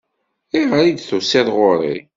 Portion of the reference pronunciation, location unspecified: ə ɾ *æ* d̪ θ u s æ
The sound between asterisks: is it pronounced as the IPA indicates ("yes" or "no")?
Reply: no